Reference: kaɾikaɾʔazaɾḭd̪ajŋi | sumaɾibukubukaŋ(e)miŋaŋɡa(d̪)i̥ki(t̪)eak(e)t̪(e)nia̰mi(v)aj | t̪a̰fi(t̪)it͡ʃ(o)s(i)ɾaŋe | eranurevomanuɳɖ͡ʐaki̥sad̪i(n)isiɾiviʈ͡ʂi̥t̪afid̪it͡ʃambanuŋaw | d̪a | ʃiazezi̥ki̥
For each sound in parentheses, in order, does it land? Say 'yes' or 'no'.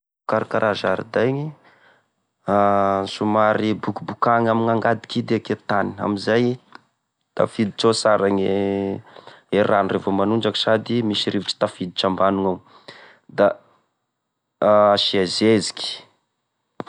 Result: no, yes, no, yes, no, no, no, yes, no, no

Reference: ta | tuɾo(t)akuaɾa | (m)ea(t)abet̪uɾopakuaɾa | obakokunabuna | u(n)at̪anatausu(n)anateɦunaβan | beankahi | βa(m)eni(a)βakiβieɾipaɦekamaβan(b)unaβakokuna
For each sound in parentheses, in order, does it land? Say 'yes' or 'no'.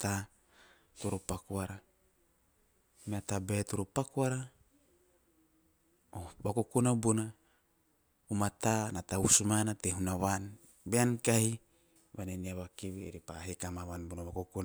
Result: no, yes, yes, no, no, no, yes, yes

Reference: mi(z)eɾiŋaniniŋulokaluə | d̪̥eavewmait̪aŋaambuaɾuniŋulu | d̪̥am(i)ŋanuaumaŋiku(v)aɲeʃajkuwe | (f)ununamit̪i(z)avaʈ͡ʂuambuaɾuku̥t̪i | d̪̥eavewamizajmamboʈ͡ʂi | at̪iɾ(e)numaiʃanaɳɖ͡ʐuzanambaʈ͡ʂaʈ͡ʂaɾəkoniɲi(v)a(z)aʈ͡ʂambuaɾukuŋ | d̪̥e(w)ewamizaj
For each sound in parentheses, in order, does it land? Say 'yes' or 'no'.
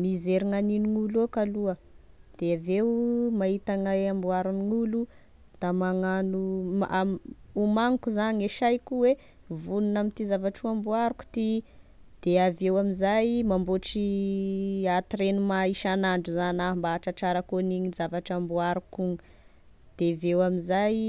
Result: yes, no, no, no, yes, yes, no, no, no

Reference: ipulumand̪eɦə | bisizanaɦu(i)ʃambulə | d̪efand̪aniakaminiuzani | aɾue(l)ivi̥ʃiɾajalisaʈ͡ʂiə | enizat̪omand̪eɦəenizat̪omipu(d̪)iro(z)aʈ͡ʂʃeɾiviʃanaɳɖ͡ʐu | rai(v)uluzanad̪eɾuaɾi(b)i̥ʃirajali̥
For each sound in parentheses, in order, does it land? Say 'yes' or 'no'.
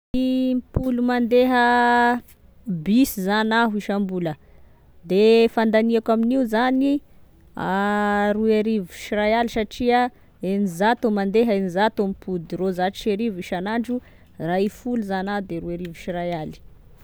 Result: yes, no, yes, yes, no, no

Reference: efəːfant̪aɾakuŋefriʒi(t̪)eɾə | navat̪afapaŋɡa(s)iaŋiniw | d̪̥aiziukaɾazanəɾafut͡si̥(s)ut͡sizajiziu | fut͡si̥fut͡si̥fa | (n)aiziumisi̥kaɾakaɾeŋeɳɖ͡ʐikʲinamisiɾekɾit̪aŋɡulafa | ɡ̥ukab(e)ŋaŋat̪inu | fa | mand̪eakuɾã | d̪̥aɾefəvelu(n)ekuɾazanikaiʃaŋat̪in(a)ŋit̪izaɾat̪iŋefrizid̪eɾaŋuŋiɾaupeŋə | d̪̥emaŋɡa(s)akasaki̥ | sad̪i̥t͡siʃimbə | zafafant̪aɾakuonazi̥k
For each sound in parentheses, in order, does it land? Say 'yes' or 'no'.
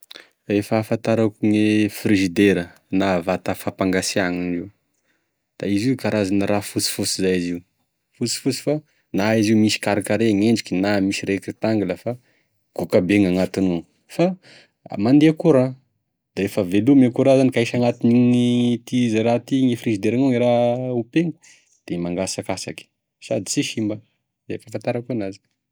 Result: no, yes, no, yes, yes, no, no, yes

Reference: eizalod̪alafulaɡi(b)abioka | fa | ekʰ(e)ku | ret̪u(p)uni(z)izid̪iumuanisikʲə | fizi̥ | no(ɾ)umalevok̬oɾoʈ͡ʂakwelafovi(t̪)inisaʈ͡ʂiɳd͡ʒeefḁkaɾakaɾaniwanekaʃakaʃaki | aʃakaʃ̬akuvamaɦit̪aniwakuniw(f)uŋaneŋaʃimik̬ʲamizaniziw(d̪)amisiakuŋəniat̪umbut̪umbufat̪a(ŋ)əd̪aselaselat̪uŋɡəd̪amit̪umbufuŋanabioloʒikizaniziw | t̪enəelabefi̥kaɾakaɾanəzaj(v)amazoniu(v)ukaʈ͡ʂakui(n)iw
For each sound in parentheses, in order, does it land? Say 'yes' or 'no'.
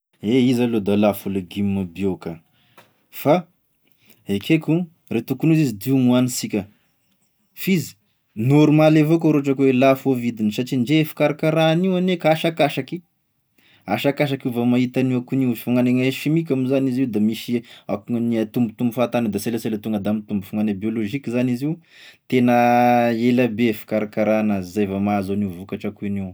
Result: no, yes, no, yes, yes, no, yes, yes, no, yes, yes, yes

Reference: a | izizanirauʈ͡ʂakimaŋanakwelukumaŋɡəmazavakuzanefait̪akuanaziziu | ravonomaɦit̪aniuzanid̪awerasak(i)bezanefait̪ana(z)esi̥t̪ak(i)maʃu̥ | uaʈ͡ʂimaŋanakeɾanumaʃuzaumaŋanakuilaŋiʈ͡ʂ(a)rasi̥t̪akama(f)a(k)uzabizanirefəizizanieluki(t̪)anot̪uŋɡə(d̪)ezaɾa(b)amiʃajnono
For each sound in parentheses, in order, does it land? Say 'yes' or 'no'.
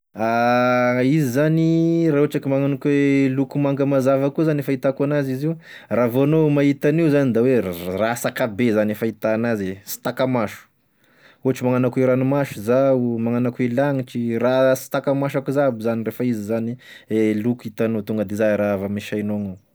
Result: no, yes, no, no, no, yes, yes, yes, no

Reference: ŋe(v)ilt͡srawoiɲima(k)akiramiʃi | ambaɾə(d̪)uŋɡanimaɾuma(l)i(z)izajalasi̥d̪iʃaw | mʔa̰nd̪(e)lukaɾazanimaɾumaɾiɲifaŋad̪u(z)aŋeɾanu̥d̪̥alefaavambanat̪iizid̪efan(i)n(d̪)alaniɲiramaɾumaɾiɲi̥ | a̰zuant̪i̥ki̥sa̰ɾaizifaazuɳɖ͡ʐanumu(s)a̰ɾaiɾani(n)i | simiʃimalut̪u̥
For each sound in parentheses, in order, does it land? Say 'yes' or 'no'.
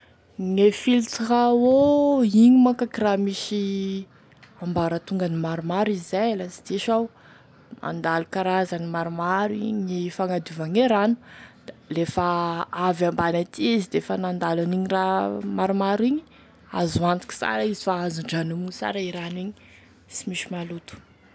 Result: no, yes, no, no, yes, no, no, no, yes, yes, no

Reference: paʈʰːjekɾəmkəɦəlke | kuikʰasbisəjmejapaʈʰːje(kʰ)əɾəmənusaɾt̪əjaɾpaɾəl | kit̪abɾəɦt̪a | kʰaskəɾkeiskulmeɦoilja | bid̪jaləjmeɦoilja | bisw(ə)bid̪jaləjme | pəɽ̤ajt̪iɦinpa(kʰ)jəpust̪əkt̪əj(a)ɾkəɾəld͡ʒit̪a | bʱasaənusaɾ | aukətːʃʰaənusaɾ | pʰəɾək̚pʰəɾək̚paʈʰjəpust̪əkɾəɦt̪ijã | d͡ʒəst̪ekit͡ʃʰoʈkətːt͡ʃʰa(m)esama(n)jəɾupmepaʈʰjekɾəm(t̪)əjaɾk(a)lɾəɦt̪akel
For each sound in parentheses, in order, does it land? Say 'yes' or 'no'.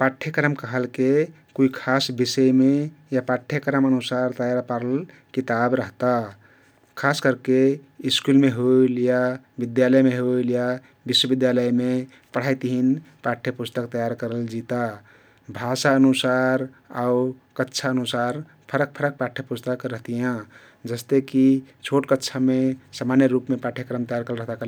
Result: no, yes, no, yes, yes, yes, yes, no

